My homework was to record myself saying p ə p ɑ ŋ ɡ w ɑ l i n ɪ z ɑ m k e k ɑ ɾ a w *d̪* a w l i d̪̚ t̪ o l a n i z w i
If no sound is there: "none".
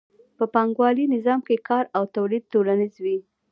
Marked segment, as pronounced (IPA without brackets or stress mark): t̪